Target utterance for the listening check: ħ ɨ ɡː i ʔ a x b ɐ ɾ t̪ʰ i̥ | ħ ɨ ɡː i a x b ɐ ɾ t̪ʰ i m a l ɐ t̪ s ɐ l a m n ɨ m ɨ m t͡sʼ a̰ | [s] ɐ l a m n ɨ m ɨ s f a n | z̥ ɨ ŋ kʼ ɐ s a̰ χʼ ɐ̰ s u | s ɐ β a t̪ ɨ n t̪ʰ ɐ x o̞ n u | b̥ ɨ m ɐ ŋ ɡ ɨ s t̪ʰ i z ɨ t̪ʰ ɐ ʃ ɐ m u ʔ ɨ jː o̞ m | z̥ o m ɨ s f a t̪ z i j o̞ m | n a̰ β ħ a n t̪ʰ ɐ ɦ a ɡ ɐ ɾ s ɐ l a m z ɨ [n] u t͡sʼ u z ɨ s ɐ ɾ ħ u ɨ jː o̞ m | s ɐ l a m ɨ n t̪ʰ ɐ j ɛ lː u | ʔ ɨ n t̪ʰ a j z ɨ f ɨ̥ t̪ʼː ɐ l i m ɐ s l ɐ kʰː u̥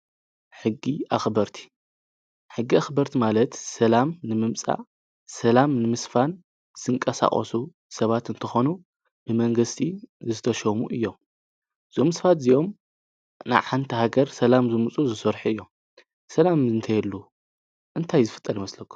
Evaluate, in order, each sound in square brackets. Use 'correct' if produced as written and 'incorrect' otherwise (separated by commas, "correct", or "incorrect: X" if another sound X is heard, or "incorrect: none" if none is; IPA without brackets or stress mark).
correct, incorrect: m